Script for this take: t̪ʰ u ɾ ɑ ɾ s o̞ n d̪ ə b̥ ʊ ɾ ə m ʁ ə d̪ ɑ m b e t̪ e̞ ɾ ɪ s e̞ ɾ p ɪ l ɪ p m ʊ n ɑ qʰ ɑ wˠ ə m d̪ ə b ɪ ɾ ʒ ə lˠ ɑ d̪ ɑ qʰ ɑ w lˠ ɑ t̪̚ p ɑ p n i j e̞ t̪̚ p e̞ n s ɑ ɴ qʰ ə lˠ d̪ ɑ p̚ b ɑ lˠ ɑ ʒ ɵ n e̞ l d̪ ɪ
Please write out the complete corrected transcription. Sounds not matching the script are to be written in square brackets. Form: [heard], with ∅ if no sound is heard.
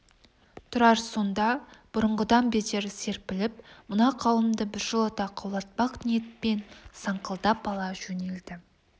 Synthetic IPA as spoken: t̪ʰ [ʊ] ɾ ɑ ɾ s o̞ n d̪ [ɑ] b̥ ʊ ɾ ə [ɴ] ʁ ə d̪ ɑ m b e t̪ e̞ ɾ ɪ s e̞ ɾ p ɪ l ɪ p m ʊ n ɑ qʰ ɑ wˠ ə m d̪ ə b ɪ ɾ ʒ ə lˠ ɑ [t̪] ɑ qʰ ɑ w lˠ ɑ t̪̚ p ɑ [q] n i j e̞ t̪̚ p e̞ n s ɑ ɴ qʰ ə lˠ d̪ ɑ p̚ b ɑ lˠ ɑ ʒ ɵ n e̞ l d̪ ɪ

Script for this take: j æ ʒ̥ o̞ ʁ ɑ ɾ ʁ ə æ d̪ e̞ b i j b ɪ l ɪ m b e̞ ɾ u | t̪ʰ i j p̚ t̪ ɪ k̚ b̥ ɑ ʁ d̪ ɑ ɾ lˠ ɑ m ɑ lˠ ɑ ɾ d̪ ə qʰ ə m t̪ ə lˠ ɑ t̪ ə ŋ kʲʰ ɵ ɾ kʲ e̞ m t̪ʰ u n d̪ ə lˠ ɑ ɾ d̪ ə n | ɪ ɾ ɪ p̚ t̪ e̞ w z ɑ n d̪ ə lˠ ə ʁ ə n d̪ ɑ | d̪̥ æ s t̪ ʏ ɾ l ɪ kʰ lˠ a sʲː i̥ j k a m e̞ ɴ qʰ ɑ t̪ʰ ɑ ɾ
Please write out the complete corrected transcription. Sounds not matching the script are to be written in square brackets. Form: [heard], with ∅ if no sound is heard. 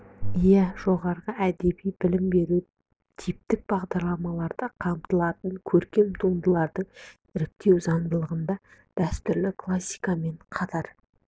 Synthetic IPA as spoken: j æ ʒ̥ o̞ ʁ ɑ ɾ ʁ ə æ d̪ e̞ b i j b ɪ l ɪ m b e̞ ɾ u | t̪ʰ i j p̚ t̪ ɪ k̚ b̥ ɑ ʁ d̪ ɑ ɾ lˠ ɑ m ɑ lˠ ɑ ɾ d̪ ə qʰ [ɑ] m t̪ ə lˠ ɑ t̪ ə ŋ kʲʰ ɵ ɾ kʲ e̞ m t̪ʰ u n d̪ ə lˠ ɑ ɾ d̪ ə [ɴ] | ɪ ɾ ɪ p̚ t̪ e̞ w z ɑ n d̪ ə lˠ ə ʁ ə n d̪ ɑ | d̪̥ æ s t̪ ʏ ɾ l ɪ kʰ lˠ a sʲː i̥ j k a m e̞ ɴ qʰ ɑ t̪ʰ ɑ ɾ

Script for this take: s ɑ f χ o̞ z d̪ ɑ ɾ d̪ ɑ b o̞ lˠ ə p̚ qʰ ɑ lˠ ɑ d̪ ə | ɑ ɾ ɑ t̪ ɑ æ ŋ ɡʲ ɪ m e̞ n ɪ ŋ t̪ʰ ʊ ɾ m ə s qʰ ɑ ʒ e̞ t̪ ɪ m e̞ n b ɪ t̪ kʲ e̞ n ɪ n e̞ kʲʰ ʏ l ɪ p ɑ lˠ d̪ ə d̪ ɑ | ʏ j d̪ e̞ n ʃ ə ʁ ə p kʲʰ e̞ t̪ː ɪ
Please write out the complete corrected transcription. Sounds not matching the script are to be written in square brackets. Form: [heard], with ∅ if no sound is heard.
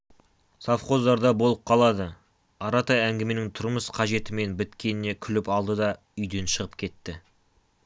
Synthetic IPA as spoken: s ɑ f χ o̞ z d̪ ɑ ɾ d̪ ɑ b o̞ lˠ ə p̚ qʰ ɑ lˠ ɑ d̪ ə | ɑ ɾ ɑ t̪ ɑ æ ŋ ɡʲ ɪ m e̞ n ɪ ŋ t̪ʰ ʊ ɾ m ə s qʰ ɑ ʒ e̞ t̪ ɪ m e̞ n b ɪ t̪ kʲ e̞ n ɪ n e̞ kʲʰ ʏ l ɪ p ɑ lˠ d̪ ə d̪ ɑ | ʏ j d̪ e̞ n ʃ ə ʁ ə p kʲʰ e̞ t̪ː ɪ

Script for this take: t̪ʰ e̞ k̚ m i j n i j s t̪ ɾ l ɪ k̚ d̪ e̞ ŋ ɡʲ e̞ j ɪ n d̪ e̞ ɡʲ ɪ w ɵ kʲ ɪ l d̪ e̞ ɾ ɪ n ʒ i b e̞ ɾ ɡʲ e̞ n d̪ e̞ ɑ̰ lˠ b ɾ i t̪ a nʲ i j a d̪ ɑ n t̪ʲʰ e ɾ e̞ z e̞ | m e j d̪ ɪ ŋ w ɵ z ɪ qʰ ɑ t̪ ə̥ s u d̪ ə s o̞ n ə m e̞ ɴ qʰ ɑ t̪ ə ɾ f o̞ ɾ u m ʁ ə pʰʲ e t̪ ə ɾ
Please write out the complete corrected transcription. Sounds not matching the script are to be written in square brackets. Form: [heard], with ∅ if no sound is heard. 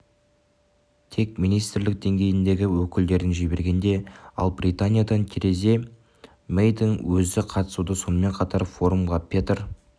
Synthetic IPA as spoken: t̪ʰ e̞ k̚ m i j n i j s t̪ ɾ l ɪ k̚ d̪ e̞ ŋ ɡʲ e̞ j ɪ n d̪ e̞ ɡʲ ɪ w ɵ kʲ ɪ l d̪ e̞ ɾ ɪ n ʒ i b e̞ ɾ ɡʲ e̞ n d̪ e̞ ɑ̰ lˠ b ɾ i t̪ a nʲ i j a d̪ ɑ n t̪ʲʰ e ɾ e̞ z e̞ | m e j d̪ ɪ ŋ w ɵ z ɪ qʰ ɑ t̪ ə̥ s u d̪ ə s o̞ n ə m e̞ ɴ qʰ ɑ t̪ [ɑ] ɾ f o̞ ɾ u m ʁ [ɑ] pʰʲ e t̪ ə ɾ

